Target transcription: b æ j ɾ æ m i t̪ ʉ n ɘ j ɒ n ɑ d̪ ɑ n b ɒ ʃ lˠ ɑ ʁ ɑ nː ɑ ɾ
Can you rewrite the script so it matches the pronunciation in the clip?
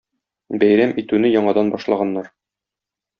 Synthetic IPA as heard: b æ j ɾ æ m i t̪ ʉ n ɘ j ɒ ɴ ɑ d̪ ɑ n b ɒ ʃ lˠ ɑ ʁ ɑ nː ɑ ɾ